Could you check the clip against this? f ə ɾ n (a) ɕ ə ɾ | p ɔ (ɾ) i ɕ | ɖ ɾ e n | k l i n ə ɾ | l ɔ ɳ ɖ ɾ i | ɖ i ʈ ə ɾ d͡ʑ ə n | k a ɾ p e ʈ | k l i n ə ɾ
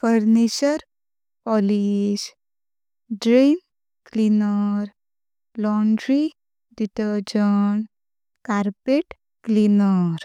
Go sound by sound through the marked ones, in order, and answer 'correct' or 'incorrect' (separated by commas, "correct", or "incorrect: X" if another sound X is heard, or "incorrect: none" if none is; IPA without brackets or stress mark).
incorrect: i, incorrect: l